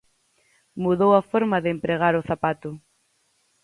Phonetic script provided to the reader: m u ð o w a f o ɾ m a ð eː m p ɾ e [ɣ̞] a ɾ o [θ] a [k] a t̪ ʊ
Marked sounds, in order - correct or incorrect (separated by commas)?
correct, correct, incorrect